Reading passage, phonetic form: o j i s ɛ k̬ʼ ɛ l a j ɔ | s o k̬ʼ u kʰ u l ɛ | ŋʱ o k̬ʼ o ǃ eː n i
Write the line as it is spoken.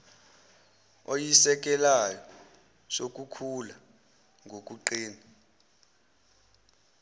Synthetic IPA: o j i s ɛ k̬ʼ ɛ l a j ɔ | s o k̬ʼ u kʰ u l a | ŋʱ o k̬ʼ u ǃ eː n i